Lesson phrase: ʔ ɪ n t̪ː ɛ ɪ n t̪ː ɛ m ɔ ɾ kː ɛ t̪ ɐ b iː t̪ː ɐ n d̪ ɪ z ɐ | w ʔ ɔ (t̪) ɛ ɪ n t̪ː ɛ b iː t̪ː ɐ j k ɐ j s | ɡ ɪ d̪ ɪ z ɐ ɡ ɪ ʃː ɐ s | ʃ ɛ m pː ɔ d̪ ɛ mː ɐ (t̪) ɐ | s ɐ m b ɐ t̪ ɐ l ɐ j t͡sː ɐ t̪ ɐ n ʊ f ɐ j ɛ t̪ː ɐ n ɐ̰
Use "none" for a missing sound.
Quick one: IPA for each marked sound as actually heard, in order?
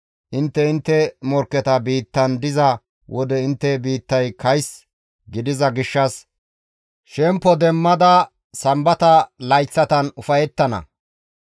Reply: d̪, d̪

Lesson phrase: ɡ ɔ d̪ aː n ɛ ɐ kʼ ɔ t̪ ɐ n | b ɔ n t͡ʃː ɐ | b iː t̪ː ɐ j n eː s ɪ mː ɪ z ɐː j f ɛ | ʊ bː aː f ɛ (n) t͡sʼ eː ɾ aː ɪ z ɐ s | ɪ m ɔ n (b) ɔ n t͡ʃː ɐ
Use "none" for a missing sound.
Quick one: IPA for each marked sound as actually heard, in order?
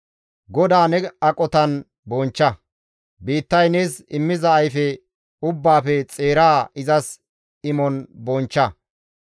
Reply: none, b

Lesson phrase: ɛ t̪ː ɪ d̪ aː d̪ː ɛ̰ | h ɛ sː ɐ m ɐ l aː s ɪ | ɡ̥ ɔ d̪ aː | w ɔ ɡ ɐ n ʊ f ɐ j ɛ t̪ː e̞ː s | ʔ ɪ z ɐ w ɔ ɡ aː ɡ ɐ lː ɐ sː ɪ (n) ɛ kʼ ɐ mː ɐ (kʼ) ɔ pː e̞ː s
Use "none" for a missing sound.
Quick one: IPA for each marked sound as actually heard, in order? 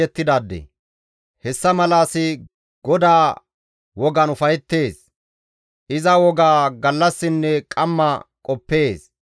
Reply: nː, kʼ

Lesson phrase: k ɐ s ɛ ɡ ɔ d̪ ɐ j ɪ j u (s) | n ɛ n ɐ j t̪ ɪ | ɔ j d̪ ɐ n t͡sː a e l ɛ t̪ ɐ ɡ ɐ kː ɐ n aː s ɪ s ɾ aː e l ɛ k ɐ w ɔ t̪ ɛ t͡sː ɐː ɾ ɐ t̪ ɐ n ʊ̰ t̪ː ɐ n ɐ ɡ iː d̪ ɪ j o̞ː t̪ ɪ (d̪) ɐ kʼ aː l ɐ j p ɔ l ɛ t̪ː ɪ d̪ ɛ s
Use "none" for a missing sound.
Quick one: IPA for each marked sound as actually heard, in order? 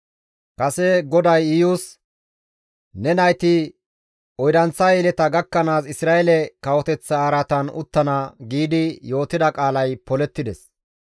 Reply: s, d̪

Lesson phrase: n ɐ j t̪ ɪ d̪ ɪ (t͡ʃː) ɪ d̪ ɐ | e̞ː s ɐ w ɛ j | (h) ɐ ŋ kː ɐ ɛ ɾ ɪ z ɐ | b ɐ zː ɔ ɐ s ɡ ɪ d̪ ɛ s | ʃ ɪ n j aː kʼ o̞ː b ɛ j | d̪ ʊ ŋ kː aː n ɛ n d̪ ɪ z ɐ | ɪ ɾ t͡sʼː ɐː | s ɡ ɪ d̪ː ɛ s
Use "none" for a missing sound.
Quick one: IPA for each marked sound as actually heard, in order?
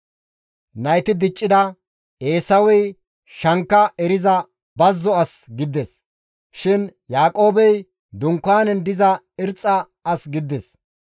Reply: t͡ʃʼː, ʃ

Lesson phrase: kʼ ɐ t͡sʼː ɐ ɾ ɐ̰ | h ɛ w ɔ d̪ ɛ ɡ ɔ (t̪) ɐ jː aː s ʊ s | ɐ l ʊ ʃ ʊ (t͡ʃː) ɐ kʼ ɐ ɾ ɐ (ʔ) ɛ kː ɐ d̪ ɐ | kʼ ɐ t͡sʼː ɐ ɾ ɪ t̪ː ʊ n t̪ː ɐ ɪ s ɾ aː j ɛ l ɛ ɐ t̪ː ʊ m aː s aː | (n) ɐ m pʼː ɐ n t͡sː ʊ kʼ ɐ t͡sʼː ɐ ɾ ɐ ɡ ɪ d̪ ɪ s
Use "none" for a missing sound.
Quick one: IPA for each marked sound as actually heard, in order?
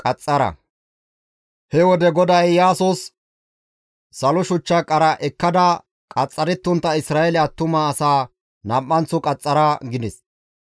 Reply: d̪, t͡ʃː, ʔ, n

